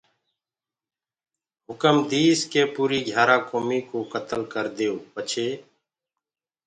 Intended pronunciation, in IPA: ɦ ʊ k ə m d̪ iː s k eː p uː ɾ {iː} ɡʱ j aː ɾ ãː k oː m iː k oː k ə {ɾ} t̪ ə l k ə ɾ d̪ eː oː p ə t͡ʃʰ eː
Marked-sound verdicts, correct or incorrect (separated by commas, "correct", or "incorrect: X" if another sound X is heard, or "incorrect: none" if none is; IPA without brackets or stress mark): correct, incorrect: none